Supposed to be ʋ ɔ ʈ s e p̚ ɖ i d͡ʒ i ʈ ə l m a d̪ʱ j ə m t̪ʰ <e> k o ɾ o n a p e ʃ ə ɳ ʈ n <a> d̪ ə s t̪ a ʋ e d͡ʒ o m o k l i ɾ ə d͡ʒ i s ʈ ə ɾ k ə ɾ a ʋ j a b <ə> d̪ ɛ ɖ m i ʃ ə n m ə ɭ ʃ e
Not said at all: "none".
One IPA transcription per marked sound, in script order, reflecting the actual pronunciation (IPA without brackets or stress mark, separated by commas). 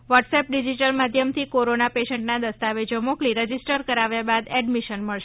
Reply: i, a, a